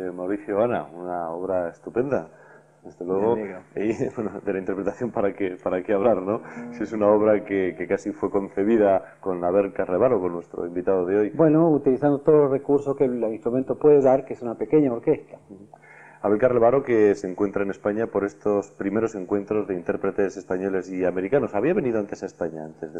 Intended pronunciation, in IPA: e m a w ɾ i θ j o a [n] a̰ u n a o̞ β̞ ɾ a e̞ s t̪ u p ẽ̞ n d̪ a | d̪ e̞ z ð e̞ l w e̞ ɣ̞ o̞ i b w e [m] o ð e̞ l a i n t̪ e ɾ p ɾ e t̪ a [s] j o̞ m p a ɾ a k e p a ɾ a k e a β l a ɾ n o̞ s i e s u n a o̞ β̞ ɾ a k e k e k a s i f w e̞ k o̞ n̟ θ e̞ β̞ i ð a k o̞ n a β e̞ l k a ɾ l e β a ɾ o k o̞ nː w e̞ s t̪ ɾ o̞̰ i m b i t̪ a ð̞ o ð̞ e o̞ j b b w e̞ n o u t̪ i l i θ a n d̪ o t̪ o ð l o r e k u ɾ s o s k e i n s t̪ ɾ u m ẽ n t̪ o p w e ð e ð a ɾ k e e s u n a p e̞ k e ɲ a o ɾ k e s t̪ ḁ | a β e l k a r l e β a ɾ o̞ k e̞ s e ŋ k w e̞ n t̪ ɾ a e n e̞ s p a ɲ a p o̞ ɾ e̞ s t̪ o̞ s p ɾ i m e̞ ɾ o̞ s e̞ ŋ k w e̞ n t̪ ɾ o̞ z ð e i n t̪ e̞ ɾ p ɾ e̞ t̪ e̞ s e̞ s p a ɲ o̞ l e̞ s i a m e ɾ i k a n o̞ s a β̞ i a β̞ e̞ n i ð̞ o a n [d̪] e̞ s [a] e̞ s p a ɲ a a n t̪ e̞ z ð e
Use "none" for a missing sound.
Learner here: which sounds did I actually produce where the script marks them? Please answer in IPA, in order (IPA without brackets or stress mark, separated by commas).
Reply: n, n, θ, t̪, a